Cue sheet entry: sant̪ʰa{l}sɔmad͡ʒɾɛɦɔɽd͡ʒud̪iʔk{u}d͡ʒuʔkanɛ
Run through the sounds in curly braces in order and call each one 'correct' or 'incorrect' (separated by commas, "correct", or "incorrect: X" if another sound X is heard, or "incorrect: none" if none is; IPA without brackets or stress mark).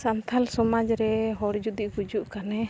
correct, correct